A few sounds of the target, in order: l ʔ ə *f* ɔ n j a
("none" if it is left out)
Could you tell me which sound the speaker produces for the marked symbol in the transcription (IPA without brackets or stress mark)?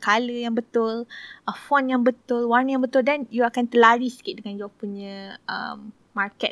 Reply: f